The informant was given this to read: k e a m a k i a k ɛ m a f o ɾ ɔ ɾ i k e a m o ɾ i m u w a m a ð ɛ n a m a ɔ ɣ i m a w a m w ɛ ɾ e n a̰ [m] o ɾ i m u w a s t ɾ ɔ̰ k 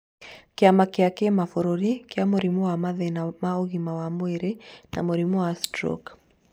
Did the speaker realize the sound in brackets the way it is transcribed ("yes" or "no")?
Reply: yes